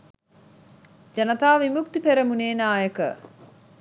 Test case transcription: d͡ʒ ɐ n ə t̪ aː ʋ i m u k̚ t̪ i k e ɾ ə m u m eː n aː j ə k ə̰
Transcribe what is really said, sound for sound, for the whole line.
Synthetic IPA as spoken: d͡ʒ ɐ n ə t̪ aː ʋ i m u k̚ t̪ i p e ɾ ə m u n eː n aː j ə k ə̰